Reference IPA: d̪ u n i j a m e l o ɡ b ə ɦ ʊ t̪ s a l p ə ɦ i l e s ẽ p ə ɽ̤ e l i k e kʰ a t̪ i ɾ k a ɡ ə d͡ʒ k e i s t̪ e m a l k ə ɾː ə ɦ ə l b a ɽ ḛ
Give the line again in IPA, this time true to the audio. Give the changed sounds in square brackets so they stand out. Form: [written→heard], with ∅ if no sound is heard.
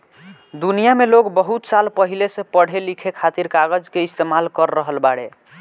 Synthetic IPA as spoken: d̪ u n i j a m e l o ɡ b ə ɦ [ʊ→u] t̪ s a l p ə ɦ i l e s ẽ p ə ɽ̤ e l i [k→kʰ] e kʰ a t̪ i ɾ k a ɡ ə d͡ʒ k e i s t̪ e m a l k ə ɾː ə ɦ ə l b a ɽ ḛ